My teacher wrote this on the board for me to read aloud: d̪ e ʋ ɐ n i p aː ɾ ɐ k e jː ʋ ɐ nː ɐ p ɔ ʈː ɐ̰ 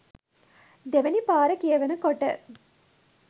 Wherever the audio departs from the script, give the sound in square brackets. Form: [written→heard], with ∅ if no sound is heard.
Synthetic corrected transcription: d̪ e ʋ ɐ n i p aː ɾ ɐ k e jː ʋ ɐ [nː→n] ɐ [p→k] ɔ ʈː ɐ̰

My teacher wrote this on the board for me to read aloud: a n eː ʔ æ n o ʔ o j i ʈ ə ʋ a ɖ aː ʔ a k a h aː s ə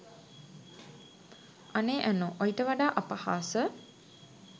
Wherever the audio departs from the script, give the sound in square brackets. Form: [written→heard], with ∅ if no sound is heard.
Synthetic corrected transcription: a n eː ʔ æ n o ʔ o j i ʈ ə ʋ a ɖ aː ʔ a [k→p] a h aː s ə

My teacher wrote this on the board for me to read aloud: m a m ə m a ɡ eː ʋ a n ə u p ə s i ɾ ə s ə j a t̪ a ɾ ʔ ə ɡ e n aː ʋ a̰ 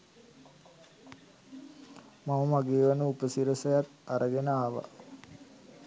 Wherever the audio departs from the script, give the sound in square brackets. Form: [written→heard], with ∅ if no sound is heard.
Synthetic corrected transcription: m a m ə m a ɡ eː ʋ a n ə u p ə s i ɾ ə s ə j a t̪ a ɾ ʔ ə ɡ e n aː ʋ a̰

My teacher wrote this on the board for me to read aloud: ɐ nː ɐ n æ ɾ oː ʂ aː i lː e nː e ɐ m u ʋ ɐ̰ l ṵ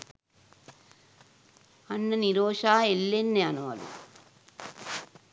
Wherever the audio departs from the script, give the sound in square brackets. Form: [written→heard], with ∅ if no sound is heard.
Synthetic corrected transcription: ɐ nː ɐ n [æ→i] ɾ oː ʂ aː [i→e] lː e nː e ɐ [m→n] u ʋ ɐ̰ l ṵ

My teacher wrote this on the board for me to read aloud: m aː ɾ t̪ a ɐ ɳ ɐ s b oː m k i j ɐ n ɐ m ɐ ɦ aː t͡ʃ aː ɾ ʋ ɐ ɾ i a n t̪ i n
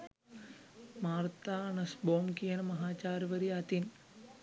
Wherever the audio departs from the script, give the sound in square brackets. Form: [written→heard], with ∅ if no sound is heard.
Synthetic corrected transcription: m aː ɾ t̪ a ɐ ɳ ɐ s b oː m k i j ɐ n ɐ m ɐ ɦ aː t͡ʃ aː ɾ ʋ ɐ ɾ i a [n→∅] t̪ i n

